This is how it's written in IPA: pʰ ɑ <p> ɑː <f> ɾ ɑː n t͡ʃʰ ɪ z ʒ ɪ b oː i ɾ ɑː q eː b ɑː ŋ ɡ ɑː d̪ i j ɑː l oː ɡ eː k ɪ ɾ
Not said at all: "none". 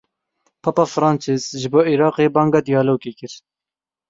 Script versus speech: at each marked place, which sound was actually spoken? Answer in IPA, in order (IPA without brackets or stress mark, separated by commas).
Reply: p, f